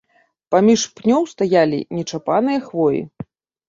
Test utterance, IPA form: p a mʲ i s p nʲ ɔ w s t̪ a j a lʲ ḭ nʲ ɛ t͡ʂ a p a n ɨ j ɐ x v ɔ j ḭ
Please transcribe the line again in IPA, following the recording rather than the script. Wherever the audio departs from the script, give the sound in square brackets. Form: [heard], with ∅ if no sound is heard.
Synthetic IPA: p a mʲ i [ʂ] p nʲ ɔ w s t̪ a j a lʲ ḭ nʲ ɛ t͡ʂ a p a n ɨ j ɐ x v ɔ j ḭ